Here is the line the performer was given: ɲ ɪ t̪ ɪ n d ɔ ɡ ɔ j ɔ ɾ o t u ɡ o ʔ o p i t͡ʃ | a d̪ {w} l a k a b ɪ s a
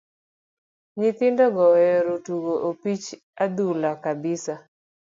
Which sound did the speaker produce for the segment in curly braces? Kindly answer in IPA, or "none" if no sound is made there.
u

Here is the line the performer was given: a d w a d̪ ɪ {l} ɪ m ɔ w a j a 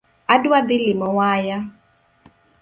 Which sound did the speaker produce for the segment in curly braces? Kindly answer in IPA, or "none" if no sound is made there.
l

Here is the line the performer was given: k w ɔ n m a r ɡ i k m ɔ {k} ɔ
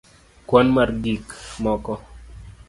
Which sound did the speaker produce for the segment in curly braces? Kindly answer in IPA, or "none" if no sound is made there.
k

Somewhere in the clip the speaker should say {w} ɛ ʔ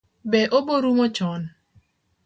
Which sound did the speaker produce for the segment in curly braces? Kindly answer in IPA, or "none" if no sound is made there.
b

